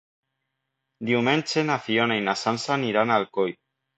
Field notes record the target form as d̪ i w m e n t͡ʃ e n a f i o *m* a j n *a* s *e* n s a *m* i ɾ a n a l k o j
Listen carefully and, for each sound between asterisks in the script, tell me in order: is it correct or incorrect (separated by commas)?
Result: incorrect, correct, incorrect, incorrect